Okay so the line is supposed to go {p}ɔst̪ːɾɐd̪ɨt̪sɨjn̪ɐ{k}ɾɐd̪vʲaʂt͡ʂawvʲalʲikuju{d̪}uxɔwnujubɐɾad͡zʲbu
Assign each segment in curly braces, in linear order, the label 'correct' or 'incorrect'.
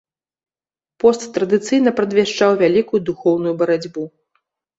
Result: correct, incorrect: p, correct

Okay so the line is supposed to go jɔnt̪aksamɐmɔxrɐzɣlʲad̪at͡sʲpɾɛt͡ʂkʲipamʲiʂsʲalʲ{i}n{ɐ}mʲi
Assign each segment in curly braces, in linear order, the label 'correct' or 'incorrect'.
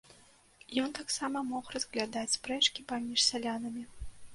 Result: incorrect: a, correct

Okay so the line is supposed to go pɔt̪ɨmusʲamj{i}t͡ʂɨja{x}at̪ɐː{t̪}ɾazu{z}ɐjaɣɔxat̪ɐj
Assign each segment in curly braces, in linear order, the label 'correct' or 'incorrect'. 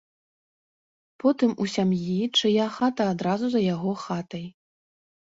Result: correct, correct, incorrect: d̪, correct

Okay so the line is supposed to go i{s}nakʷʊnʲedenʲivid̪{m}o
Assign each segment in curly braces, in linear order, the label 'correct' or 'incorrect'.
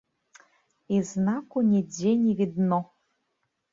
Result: incorrect: z, incorrect: n

